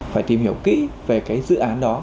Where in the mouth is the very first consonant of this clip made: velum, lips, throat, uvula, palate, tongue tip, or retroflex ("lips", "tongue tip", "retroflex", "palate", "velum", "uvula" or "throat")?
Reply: lips